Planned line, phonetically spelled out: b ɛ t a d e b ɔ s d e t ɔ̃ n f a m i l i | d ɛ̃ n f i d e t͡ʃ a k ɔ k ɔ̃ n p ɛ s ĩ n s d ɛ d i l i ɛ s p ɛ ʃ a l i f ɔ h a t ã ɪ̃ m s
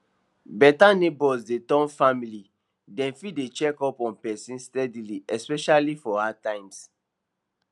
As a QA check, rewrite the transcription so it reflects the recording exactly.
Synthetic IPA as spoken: b ɛ t a n e b ɔ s d e t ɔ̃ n f a m i l i | d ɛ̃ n f i d e t͡ʃ ɛ k ɔ p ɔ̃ n p ɛ s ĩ n s t ɛ d i l i ɛ s p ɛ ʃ a l i f ɔ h a t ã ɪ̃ m s